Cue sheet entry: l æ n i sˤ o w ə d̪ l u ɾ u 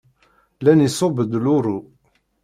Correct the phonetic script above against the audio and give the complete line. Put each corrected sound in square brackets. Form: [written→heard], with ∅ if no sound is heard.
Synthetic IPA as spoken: l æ n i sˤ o [w→b] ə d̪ l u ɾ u